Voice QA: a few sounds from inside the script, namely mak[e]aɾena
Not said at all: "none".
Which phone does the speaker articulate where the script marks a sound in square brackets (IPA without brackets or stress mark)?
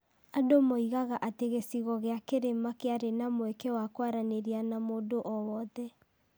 e